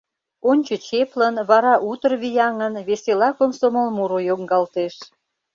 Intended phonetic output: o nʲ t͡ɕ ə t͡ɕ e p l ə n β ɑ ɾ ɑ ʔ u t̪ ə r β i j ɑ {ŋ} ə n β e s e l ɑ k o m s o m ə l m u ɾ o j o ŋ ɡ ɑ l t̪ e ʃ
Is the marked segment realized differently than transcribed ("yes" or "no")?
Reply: no